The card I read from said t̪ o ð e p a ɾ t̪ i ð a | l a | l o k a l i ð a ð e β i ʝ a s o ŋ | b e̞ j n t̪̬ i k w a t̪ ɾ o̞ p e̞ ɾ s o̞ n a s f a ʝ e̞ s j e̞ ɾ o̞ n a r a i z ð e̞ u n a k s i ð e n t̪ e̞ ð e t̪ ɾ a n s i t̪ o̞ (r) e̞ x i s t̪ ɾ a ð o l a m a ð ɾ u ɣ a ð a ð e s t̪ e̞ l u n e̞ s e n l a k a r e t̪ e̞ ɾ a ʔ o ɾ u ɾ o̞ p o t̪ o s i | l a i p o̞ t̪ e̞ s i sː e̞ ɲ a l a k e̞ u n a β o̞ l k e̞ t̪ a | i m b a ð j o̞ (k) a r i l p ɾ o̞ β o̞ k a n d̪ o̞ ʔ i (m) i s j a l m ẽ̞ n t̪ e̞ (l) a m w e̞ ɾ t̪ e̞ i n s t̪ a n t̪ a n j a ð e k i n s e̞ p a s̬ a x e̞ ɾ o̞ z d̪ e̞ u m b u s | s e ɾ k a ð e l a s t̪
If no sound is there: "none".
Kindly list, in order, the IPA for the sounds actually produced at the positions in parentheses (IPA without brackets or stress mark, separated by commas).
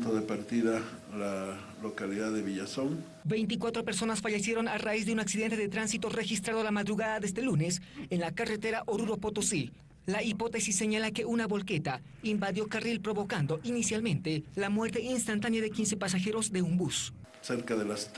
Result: r, k, n, l